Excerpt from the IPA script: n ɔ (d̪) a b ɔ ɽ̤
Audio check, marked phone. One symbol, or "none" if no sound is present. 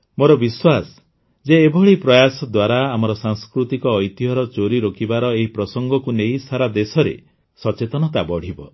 t̪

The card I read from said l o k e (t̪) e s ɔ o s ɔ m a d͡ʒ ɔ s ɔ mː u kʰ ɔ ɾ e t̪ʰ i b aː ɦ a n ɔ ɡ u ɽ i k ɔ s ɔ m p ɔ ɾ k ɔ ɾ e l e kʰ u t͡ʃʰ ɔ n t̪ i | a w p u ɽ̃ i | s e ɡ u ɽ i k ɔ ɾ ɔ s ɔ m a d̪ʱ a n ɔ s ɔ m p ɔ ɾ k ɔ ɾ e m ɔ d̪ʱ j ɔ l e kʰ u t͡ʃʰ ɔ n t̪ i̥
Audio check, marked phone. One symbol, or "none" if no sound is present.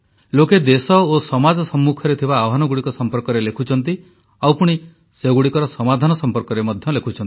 d̪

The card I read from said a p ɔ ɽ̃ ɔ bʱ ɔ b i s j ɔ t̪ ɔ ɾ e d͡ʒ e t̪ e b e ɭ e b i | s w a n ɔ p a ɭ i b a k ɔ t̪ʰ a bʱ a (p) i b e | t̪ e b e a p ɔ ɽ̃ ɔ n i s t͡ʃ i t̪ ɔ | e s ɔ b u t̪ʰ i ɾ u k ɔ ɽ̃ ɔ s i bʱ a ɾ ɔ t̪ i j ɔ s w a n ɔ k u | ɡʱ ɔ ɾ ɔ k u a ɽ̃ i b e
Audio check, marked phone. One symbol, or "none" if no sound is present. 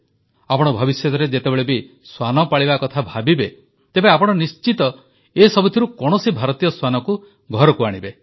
b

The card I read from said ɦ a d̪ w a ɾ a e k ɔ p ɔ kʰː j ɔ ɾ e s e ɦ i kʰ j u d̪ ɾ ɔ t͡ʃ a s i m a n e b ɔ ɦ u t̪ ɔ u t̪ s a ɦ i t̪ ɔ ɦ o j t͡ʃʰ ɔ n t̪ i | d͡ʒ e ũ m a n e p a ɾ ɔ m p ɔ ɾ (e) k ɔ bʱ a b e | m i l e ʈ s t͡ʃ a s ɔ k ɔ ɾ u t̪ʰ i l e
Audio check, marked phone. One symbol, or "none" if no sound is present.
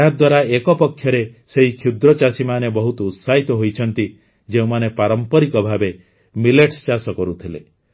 i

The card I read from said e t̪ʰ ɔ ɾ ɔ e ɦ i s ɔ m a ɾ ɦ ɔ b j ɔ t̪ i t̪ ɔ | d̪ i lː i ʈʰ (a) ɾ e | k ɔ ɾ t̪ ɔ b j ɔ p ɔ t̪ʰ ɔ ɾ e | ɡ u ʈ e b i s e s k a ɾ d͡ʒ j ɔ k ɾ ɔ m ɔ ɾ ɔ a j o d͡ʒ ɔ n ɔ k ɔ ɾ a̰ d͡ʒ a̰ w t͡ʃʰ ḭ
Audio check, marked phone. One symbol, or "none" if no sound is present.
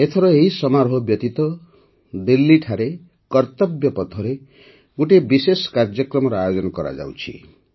a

